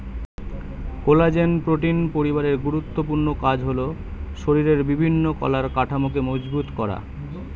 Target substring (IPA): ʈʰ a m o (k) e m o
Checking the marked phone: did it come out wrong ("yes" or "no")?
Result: no